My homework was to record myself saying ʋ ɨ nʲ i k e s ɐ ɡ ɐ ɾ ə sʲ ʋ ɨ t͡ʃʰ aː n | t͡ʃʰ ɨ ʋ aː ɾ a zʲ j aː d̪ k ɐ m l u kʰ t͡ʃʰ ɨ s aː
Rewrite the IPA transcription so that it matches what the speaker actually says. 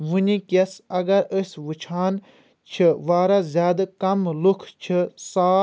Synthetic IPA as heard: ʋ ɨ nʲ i k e s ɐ ɡ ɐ ɾ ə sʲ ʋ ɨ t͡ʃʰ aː n | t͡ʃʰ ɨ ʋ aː ɾ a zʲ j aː d̪ k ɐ m l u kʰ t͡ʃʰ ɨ s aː